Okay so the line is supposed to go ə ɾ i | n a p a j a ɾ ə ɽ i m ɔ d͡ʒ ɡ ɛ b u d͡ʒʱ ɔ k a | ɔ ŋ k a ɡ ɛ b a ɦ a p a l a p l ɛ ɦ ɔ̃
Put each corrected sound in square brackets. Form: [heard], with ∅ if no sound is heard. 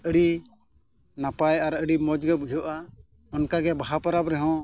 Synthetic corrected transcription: ə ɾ i | n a p a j a ɾ ə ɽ i m ɔ d͡ʒ ɡ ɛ b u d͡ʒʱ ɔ [ʔ] a | ɔ [n] k a ɡ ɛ b a ɦ a p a [ɾ] a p [ɾ] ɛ ɦ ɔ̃